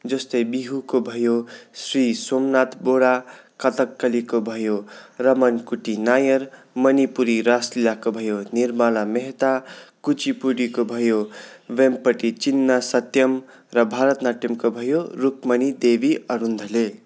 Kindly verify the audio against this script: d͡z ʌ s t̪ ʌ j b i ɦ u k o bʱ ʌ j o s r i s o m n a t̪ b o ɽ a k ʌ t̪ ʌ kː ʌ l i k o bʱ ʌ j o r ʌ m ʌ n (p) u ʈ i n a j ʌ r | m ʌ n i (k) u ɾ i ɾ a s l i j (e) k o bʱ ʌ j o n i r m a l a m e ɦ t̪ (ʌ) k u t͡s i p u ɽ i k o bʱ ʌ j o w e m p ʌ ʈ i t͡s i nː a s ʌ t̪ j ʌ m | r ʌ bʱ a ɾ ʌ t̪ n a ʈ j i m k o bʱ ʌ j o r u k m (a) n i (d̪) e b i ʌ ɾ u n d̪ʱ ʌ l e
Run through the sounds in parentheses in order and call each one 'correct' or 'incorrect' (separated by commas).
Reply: incorrect, incorrect, incorrect, incorrect, incorrect, correct